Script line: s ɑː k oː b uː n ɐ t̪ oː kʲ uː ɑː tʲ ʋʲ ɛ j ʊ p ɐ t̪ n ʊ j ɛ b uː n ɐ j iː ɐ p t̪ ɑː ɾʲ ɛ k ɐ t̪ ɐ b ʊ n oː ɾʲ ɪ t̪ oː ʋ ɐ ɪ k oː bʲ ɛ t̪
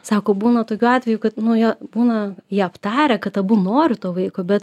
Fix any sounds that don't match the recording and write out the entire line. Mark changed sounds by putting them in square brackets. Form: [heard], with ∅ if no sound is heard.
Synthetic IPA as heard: s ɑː k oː b uː n ɐ t̪ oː kʲ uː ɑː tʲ ʋʲ ɛ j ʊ [k] ɐ t̪ n ʊ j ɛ b uː n ɐ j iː ɐ p t̪ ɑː ɾʲ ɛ k ɐ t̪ ɐ b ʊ n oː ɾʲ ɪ t̪ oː ʋ ɐ ɪ k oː bʲ ɛ t̪